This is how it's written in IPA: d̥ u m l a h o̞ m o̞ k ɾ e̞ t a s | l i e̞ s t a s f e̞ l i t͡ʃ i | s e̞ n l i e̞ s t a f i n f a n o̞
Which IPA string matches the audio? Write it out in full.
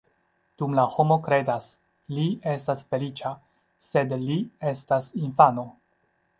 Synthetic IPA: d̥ u m l a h o̞ m o̞ k ɾ e̞ d a s | l i e̞ s t a s f e̞ l i t͡ʃ a | s e̞ d l i e̞ s t a s i n f a n o̞